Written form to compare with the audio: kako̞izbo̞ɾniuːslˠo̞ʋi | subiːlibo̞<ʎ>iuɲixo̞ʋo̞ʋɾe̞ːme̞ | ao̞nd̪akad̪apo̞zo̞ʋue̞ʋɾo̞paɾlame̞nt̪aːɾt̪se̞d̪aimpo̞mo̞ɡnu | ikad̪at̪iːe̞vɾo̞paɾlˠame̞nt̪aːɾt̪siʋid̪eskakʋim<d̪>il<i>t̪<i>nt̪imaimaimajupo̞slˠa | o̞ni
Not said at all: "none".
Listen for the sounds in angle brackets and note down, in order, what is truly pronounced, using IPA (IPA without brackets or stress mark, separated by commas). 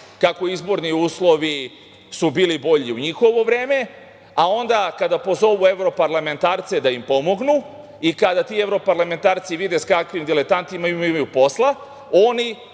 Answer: ʎ, d̪, e, a